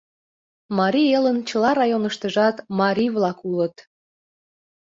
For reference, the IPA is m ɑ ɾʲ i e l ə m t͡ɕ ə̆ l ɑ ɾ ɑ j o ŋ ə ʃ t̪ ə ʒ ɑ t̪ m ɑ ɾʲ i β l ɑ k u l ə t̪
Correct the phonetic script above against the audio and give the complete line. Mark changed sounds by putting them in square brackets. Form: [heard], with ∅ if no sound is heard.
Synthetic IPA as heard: m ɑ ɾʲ i e l ə [n] t͡ɕ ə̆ l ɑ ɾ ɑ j o [n] ə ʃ t̪ ə ʒ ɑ t̪ m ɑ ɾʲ i β l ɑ k u l ə t̪